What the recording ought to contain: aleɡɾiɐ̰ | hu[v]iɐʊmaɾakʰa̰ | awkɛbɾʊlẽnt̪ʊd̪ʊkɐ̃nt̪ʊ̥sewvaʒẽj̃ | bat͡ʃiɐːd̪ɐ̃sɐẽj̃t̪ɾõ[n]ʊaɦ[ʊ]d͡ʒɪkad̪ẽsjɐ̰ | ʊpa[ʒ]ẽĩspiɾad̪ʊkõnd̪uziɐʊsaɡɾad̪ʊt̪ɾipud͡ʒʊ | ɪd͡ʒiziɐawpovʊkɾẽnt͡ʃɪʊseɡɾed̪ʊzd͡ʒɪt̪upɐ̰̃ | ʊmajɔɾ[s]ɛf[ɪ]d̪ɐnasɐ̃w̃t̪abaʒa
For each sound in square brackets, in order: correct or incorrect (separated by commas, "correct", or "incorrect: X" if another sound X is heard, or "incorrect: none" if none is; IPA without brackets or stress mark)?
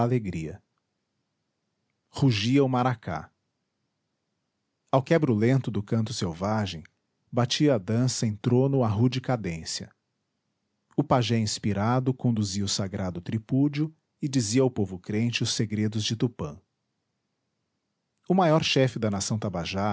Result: incorrect: ʒ, correct, incorrect: u, correct, incorrect: ʃ, correct